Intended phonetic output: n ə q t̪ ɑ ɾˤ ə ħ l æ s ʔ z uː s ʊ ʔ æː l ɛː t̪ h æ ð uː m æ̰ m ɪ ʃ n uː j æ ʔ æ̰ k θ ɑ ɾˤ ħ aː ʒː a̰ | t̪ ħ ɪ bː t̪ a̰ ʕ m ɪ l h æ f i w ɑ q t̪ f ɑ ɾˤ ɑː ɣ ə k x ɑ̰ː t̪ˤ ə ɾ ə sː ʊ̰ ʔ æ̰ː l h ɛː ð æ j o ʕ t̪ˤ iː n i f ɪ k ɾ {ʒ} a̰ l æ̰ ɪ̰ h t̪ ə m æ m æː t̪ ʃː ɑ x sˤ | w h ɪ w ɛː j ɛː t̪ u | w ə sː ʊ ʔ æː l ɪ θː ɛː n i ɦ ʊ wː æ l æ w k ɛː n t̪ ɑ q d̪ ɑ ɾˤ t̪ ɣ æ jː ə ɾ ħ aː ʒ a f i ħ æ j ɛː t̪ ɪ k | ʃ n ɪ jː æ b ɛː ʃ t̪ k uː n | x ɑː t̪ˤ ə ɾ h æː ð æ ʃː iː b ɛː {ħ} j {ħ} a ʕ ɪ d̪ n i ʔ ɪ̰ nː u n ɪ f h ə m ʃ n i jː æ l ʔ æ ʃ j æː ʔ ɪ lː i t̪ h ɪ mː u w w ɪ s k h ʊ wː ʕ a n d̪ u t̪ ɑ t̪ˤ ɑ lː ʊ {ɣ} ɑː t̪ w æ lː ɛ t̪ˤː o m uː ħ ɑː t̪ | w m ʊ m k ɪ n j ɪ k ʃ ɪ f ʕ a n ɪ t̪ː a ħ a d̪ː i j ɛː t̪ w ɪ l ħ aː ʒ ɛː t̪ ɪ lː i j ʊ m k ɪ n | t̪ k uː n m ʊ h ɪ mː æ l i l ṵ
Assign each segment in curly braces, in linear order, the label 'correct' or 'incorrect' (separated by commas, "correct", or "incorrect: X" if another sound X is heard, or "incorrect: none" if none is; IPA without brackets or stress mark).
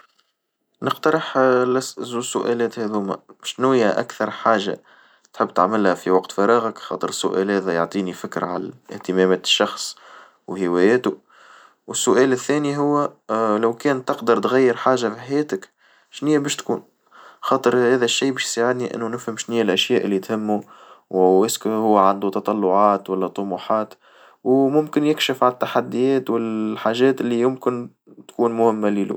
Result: incorrect: ʕ, incorrect: ʃ, incorrect: s, incorrect: ʕ